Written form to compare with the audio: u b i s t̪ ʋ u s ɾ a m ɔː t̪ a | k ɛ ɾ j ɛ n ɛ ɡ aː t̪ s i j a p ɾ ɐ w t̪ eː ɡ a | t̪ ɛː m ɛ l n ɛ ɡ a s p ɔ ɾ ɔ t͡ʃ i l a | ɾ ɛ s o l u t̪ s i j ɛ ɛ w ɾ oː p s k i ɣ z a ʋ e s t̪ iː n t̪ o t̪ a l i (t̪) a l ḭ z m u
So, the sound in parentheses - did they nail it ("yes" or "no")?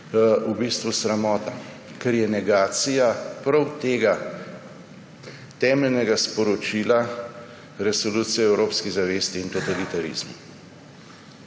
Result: yes